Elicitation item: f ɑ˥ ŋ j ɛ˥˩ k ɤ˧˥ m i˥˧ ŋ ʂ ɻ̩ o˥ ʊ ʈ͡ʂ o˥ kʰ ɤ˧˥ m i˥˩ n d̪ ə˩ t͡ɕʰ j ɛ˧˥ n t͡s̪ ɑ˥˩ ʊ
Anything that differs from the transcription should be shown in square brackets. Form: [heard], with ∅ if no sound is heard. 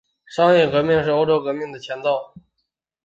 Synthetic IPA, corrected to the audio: [ʂ] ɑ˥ ŋ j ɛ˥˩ k ɤ˧˥ m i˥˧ ŋ ʂ ɻ̩ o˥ ʊ ʈ͡ʂ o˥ [k] ɤ˧˥ m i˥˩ [ŋ] d̪ ə˩ t͡ɕʰ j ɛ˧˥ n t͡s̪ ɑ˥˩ ʊ